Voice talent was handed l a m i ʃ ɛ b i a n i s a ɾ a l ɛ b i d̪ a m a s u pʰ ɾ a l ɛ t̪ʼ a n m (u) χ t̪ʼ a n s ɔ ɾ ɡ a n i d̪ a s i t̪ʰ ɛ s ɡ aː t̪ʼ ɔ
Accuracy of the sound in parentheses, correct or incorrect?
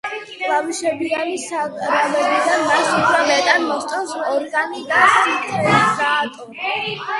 incorrect